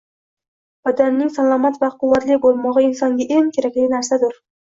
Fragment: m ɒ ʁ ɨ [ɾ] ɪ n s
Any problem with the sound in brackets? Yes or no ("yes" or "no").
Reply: yes